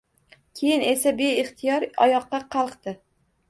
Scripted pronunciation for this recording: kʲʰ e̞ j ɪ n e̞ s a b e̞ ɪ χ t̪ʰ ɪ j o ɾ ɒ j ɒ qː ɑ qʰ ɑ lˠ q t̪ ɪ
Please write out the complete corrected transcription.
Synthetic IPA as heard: kʲʰ e̞ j ɪ n e̞ s a b e̞ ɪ χ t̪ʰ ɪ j ɒ ɾ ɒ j ɒ qː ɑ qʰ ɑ lˠ q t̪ ɪ

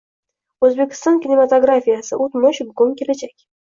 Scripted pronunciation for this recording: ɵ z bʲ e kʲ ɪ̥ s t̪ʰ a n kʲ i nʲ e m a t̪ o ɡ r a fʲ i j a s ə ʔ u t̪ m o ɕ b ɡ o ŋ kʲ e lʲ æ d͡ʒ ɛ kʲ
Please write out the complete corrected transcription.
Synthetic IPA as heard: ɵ z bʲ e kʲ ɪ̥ s t̪ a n kʲ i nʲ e m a t̪ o ɡ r a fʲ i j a s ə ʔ u t̪ m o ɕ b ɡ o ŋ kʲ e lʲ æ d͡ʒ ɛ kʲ

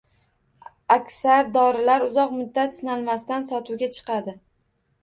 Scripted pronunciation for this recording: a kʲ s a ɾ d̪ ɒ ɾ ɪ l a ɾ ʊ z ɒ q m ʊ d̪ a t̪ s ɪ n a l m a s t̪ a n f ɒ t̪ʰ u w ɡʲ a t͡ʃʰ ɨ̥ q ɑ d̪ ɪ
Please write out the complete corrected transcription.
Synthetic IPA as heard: a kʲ s a ɾ d̪ ɒ ɾ ɪ l a ɾ ʊ z ɒ q m ʊ d̪ː a t̪ s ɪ n a l m a s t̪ a n s ɒ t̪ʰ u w ɡʲ a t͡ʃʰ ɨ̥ q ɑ d̪ ɪ

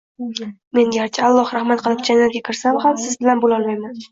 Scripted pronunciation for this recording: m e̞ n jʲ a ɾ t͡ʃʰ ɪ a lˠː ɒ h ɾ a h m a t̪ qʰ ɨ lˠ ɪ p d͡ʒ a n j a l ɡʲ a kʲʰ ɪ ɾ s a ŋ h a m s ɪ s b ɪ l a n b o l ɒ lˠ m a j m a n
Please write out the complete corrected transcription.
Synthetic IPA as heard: m e̞ n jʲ a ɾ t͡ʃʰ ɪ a lˠː ɒ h ɾ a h m a t̪ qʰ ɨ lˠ ɪ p d͡ʒ a n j a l ɡʲ a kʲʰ ɪ ɾ s a m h a m s ɪ z b ɪ l a n b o l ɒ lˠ m a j m a n

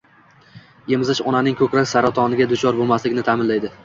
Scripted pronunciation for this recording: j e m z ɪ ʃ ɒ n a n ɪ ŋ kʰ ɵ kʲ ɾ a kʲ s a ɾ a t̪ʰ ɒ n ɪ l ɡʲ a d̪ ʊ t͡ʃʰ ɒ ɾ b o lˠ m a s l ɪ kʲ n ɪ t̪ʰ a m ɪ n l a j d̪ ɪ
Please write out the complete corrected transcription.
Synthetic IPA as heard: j e m z ɪ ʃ ɒ n a n ɪ ŋ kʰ ɵ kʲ ɾ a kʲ s a ɾ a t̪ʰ ɒ n ɪ ɡʲ a d̪ ʊ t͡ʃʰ ɒ ɾ b o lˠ m a s l ɪ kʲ n ɪ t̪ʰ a m ɪ n l a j d̪ ɪ

